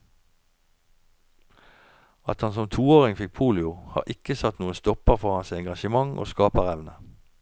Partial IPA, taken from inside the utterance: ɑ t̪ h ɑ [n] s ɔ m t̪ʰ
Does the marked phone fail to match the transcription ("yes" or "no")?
no